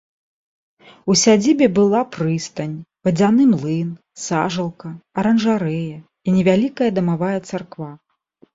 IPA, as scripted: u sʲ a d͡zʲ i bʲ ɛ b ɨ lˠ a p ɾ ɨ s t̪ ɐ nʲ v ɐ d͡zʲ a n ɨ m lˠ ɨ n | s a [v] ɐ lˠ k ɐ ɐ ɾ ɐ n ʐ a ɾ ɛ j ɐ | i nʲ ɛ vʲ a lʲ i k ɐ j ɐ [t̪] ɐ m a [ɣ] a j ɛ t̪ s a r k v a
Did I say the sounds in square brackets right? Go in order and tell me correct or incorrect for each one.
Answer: incorrect, incorrect, incorrect

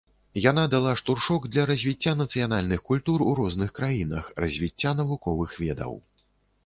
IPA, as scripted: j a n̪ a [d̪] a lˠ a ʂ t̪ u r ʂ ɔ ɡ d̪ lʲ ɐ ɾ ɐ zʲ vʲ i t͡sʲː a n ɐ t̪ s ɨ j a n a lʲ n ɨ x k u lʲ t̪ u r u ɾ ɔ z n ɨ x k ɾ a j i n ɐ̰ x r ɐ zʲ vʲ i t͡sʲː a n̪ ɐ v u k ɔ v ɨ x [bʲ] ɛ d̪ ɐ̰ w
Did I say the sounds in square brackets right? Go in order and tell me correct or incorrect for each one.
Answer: correct, incorrect

